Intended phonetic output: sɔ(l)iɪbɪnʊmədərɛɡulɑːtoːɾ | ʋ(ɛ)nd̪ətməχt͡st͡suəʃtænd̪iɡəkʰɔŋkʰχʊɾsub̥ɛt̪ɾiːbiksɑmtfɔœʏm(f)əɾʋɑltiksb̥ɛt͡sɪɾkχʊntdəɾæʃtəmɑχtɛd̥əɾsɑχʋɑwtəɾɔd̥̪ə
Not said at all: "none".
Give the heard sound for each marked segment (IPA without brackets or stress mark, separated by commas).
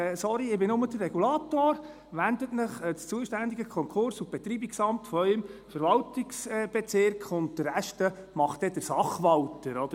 ɾ, æ, f